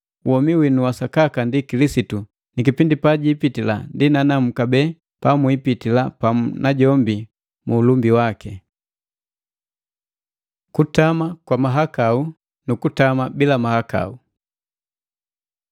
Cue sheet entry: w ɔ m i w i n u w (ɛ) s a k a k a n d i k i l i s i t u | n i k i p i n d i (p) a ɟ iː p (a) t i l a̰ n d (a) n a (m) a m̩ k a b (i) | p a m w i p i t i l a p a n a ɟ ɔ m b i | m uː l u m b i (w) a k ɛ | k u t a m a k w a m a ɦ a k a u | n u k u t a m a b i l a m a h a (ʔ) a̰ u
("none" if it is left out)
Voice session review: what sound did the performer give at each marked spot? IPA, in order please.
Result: a, p, i, i, n, ɛ, w, k

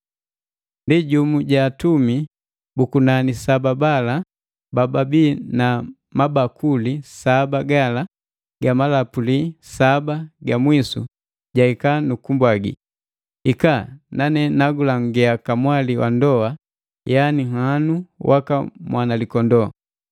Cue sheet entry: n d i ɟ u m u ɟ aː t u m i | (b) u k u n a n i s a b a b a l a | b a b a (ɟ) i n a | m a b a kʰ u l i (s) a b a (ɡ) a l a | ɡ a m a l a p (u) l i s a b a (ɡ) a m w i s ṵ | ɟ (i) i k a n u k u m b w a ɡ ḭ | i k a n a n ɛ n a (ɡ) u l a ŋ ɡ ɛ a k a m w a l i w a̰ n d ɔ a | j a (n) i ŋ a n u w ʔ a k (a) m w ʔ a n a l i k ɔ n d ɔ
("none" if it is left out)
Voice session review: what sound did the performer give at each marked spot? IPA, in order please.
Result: b, b, s, ɡ, u, ɡ, a, ɡ, n, a

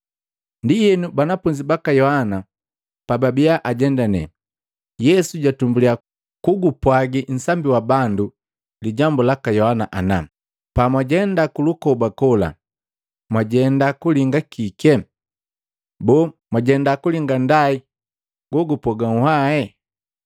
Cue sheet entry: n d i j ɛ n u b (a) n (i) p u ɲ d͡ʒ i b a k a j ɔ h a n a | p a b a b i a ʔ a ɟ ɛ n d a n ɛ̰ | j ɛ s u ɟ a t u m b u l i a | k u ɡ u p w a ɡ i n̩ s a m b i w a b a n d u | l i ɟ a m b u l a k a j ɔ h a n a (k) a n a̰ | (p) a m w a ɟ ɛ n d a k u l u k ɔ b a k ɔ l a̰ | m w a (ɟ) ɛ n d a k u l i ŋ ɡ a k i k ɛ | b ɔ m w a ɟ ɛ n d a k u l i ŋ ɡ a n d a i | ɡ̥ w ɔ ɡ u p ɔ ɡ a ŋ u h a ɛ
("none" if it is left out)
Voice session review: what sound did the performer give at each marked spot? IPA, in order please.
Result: a, a, ʔ, p, ɟ

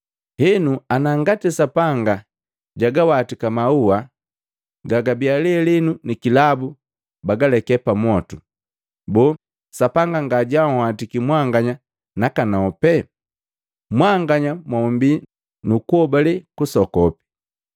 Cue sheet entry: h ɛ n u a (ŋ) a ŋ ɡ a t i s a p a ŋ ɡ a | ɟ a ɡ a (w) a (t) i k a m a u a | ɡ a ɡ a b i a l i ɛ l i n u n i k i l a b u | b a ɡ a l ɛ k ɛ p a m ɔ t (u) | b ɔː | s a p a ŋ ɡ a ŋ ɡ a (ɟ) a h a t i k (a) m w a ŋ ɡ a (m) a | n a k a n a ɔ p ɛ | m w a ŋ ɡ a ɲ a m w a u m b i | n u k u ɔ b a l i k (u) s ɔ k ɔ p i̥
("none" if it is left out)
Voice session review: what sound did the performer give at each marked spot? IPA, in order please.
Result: n, w, t, u, ɟ, i, ɲ, u

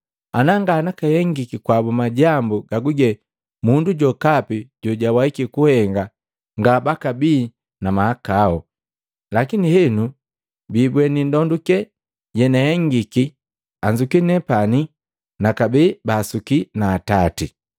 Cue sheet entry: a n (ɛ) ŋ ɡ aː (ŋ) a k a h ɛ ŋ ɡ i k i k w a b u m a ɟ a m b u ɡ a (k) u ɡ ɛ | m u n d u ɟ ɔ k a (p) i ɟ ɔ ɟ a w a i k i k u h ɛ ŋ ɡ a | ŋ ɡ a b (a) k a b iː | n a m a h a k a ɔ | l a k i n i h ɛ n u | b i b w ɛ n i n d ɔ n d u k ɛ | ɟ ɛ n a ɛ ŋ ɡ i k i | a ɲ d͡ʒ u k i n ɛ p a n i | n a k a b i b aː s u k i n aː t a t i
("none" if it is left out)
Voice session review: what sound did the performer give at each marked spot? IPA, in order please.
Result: a, n, ɡ, p, a

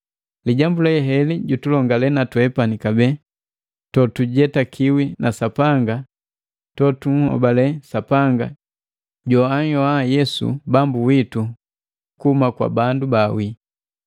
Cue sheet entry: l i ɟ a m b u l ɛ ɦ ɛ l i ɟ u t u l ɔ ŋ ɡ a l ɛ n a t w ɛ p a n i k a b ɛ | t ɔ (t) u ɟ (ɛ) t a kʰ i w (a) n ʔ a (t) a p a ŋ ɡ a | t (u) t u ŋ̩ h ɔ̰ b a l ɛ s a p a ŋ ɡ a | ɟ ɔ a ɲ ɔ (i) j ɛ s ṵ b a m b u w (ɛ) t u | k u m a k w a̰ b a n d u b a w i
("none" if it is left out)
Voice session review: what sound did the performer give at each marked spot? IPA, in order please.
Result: t, ɛ, i, s, ɔ, a, i

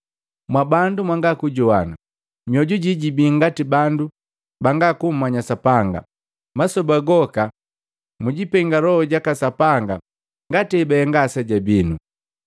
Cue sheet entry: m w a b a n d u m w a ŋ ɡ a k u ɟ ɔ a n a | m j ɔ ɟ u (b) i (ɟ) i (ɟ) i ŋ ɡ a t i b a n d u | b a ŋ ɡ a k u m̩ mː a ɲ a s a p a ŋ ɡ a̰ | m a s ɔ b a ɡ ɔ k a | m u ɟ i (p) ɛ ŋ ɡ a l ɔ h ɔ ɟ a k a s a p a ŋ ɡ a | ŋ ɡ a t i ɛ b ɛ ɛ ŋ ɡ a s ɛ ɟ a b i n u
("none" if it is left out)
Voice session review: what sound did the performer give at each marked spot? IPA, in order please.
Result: ɟ, ɟ, b, p

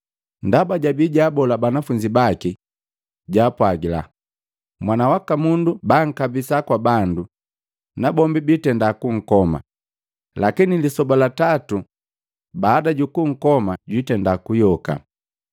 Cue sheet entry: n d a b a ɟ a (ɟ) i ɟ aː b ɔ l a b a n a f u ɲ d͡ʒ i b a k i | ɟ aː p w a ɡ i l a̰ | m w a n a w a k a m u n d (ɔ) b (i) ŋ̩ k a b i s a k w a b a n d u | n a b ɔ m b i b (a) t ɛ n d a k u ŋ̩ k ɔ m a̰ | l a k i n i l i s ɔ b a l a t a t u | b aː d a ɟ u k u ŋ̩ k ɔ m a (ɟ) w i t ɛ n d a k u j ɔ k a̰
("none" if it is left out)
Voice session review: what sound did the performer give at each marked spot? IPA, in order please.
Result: b, u, a, i, ɟ

